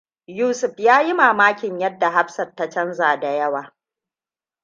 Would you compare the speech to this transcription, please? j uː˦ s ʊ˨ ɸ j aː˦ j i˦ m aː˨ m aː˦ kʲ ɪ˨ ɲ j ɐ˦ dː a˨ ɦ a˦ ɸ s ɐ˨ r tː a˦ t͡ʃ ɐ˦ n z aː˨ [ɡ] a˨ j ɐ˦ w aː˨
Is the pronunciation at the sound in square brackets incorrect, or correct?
incorrect: d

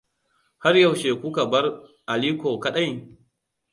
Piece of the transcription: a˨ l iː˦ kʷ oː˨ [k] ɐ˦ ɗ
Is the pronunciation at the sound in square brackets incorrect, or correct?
correct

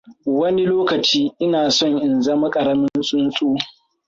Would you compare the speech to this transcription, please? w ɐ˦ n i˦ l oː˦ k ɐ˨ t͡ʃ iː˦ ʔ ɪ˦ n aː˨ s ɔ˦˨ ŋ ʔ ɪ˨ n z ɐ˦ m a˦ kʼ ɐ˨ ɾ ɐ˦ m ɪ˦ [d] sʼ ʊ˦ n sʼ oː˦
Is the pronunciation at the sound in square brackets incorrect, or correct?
incorrect: n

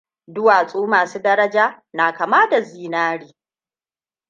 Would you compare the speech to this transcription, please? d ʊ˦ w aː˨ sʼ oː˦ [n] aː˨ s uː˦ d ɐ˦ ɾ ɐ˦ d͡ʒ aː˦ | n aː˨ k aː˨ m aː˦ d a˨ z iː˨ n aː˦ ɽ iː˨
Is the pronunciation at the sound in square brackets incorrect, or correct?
incorrect: m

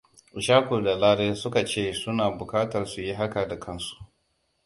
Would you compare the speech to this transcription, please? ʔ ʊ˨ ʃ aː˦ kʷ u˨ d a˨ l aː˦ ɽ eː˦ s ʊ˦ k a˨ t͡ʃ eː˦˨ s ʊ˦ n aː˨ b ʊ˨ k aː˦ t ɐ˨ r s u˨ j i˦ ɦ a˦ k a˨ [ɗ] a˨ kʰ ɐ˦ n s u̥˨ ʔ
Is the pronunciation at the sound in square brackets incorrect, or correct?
incorrect: d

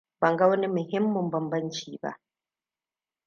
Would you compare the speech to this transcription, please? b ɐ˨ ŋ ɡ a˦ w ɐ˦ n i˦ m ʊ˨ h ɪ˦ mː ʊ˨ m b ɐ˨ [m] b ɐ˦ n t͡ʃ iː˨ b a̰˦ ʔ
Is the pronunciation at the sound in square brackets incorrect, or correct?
correct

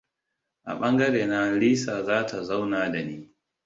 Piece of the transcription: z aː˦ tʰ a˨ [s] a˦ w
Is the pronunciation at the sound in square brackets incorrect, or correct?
incorrect: z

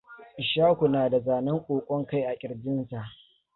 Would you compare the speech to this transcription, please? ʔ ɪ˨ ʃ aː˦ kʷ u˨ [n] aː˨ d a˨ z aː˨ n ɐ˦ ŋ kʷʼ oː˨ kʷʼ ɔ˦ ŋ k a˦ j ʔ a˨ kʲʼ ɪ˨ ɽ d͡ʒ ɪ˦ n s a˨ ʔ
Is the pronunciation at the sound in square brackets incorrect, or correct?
correct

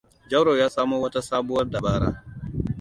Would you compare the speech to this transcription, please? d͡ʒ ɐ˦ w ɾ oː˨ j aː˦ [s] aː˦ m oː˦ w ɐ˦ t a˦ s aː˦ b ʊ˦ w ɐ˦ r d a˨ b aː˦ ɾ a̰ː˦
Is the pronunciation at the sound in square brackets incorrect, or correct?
correct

